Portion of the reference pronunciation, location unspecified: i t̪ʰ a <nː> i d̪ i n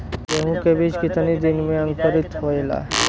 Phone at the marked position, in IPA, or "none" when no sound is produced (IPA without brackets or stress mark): n